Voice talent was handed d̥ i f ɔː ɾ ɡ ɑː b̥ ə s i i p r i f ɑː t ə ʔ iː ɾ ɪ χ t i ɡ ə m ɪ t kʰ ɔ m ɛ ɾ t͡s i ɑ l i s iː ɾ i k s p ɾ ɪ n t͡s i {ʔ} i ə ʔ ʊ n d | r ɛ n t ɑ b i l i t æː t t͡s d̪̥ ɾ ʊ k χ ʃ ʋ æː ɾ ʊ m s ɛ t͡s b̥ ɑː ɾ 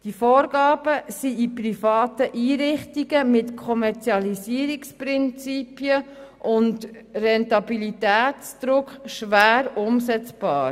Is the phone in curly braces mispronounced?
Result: yes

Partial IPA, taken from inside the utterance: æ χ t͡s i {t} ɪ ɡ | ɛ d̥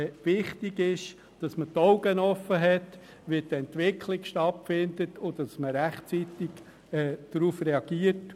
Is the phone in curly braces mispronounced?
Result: no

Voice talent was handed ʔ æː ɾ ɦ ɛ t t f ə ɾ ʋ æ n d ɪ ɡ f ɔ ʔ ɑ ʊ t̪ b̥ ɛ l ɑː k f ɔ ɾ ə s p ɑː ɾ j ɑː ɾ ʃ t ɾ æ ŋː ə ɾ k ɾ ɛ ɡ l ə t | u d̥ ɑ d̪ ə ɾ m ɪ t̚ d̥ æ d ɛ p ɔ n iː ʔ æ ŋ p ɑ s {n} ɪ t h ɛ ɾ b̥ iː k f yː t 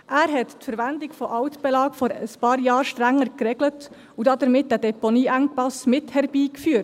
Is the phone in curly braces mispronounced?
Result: yes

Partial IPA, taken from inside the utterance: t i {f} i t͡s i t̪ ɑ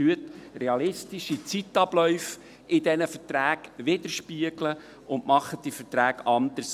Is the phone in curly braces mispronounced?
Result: yes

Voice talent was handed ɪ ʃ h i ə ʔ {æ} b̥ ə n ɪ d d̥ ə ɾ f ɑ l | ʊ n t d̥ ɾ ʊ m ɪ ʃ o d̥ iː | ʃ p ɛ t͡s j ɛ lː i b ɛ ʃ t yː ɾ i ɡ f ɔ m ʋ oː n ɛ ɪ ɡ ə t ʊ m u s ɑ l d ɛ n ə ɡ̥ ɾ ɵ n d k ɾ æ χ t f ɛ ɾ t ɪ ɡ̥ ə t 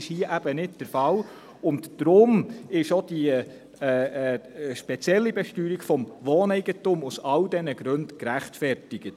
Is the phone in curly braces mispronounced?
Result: no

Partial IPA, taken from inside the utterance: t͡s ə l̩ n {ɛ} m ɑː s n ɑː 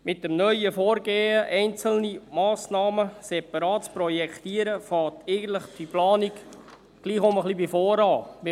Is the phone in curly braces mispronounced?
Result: yes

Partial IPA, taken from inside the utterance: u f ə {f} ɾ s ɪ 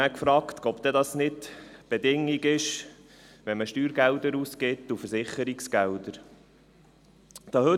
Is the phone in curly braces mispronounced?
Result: yes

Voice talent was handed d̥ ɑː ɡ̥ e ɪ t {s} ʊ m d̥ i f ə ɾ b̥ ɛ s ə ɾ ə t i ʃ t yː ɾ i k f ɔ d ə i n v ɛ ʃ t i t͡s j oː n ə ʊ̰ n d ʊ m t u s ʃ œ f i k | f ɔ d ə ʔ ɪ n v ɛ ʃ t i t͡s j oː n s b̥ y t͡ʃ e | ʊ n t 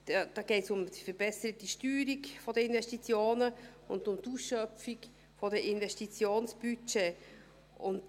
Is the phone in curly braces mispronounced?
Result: no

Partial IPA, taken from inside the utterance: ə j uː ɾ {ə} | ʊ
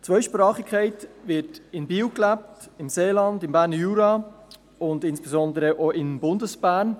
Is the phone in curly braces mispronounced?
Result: yes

